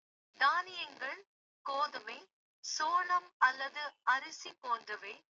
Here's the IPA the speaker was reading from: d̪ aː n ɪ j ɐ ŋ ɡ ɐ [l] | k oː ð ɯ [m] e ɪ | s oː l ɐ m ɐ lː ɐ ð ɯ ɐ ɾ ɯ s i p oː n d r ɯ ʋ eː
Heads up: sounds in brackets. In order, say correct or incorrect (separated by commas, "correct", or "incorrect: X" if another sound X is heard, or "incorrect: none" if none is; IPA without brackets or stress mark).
incorrect: ɭ, correct